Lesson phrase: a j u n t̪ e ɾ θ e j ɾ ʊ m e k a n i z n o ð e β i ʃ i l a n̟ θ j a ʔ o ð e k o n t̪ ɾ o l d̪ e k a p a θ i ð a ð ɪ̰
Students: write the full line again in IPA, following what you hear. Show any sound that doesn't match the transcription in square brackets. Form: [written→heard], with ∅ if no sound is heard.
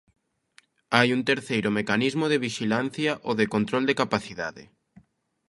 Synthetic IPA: a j u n t̪ e ɾ θ e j ɾ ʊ m e k a n i z [n→m] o ð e β i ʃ i l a n̟ θ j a ʔ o ð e k o n t̪ ɾ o l d̪ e k a p a θ i ð a ð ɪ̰